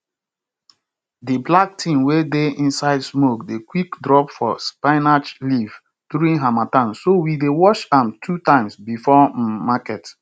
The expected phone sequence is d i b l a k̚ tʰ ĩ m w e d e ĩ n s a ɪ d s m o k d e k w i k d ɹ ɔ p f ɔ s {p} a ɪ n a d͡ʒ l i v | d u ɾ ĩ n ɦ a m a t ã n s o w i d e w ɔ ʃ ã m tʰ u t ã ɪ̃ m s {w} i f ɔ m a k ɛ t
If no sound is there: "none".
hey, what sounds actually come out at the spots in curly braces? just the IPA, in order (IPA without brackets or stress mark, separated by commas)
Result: p, b